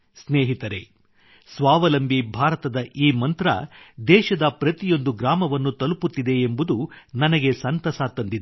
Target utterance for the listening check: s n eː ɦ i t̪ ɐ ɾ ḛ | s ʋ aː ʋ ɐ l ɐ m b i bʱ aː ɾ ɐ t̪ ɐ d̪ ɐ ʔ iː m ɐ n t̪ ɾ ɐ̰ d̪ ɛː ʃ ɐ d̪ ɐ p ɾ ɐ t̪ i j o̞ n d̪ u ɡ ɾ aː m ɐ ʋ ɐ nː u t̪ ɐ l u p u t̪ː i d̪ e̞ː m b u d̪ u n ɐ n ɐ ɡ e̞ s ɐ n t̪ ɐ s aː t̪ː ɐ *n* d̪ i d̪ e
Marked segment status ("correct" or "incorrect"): correct